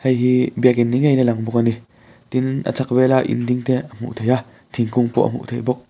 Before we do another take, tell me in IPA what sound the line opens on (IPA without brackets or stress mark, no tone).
h